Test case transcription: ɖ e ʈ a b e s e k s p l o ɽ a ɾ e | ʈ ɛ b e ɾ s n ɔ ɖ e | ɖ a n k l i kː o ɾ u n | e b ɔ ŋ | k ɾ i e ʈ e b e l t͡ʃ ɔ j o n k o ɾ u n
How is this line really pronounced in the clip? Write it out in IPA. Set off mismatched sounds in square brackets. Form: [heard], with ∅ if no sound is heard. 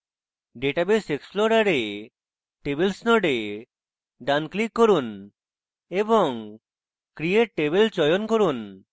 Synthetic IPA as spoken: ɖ e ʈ a b e s e k s p l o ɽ a ɾ e | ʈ [e] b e [l] s n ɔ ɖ e | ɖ a n k l i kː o ɾ u n | e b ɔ ŋ | k ɾ i e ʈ e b e l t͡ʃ ɔ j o n k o ɾ u n